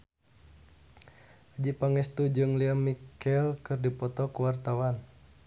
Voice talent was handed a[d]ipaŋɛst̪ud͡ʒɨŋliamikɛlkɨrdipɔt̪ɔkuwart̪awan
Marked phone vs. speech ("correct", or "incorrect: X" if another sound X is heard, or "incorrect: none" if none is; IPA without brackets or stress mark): incorrect: d͡ʒ